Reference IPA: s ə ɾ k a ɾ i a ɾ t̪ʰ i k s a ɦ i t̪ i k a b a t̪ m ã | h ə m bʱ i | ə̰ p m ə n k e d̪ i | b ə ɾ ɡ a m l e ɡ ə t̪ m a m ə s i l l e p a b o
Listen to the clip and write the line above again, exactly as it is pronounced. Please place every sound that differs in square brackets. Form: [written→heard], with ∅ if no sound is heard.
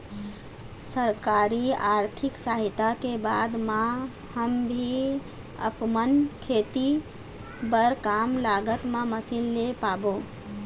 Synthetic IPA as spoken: s ə ɾ k a ɾ i a ɾ t̪ʰ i k s a ɦ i t̪ [i→a] k [a→e] b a [t̪→d̪] m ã | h ə m bʱ i | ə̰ p m ə n [k→kʰ] e [d̪→t̪] i | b ə ɾ [ɡ→k] a m l [e→a] ɡ ə t̪ m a m ə s i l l e p a b o